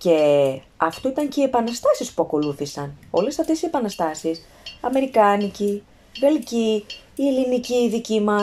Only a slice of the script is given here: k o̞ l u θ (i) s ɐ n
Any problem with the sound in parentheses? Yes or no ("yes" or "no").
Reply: no